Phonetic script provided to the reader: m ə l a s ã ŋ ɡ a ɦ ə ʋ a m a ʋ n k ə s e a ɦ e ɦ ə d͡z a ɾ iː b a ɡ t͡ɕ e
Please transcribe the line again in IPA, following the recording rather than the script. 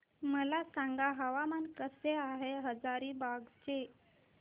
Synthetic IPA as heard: m ə l a s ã ŋ ɡ a ɦ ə ʋ a m a n k ə s e a ɦ e ɦ ə d͡z a ɾ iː b a ɡ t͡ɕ e